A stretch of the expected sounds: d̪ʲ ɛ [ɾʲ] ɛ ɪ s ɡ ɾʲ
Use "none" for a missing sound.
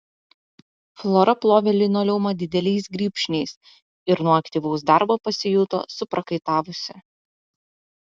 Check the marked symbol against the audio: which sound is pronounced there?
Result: lʲ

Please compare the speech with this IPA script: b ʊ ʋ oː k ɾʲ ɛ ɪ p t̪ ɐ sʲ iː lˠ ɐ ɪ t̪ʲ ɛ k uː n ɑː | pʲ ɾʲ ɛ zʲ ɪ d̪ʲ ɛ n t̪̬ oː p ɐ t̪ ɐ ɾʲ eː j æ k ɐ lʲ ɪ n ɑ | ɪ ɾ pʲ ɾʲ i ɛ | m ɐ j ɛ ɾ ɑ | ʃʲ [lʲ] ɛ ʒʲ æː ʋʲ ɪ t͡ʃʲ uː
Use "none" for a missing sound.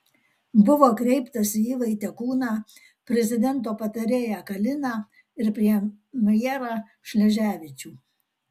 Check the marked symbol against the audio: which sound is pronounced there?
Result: lʲ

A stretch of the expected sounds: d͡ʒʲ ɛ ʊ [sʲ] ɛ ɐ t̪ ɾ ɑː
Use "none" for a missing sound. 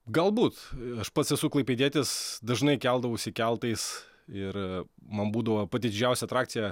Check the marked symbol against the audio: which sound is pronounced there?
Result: sʲ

